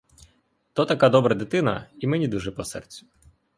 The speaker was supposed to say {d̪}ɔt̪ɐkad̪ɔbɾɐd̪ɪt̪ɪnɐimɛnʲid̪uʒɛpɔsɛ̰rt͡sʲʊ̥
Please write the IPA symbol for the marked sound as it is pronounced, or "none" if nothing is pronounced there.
t̪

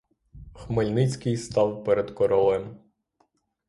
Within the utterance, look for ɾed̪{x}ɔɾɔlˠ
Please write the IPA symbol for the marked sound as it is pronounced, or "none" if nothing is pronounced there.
k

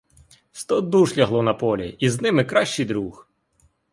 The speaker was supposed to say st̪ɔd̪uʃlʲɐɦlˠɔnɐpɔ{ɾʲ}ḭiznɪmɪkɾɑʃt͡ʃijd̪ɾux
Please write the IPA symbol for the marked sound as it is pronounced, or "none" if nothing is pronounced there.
lʲ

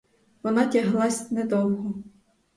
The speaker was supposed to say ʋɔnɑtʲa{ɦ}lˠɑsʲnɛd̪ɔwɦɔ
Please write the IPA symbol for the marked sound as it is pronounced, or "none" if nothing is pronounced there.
ɦ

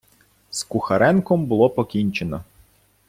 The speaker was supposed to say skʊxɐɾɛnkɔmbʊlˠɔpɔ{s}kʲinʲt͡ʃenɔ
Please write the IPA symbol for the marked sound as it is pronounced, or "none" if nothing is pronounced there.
none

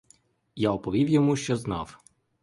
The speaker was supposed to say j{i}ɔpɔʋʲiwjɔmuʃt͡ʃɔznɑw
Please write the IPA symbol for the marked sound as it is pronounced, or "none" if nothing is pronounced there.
a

